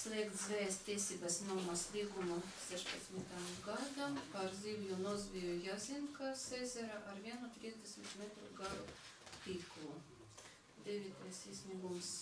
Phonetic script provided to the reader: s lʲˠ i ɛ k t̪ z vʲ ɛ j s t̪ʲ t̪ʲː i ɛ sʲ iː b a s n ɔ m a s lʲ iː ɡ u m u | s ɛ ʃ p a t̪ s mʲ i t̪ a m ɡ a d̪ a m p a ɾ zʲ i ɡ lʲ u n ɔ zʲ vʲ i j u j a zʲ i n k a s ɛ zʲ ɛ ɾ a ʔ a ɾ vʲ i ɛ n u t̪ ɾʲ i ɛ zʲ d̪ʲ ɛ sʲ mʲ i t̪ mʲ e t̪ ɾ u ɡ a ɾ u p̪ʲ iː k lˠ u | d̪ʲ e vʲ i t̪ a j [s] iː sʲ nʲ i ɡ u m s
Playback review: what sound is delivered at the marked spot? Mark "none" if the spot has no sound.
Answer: s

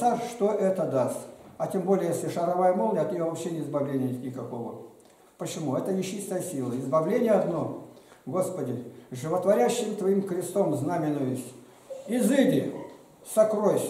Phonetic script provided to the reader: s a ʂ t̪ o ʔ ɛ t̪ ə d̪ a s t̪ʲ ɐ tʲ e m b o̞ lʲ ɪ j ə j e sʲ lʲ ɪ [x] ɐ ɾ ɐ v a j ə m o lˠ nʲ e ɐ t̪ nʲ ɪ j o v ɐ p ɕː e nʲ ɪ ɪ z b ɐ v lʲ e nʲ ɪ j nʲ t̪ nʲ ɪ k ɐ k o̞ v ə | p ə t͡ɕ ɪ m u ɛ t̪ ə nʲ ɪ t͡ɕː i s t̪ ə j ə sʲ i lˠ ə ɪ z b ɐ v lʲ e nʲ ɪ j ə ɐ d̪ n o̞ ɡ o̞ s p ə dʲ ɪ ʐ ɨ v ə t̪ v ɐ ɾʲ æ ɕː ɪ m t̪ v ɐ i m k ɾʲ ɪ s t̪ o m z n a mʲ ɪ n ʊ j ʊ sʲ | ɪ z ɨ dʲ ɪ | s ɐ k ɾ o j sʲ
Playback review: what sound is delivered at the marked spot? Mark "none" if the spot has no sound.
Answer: ʂ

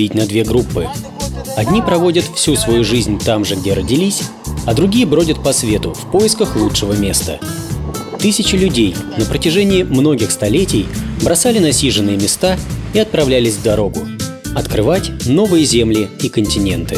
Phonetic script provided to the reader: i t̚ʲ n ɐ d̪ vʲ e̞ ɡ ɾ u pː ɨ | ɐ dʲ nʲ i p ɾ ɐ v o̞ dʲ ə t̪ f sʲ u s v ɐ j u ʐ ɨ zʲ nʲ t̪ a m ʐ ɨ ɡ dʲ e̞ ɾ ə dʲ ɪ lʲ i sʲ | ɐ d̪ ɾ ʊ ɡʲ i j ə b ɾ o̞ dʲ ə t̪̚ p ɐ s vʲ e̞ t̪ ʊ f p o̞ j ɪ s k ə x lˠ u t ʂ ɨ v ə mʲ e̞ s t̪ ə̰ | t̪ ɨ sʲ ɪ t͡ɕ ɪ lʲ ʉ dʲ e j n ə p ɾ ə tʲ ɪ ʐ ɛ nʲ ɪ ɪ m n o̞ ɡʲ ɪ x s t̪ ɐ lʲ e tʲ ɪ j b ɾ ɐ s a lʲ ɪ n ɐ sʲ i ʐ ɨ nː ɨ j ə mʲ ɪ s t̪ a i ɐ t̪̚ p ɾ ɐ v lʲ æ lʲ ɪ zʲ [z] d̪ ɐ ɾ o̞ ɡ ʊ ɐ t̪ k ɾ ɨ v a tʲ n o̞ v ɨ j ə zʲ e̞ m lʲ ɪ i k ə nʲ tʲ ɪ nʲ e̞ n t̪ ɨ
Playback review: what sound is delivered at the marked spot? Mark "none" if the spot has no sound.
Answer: v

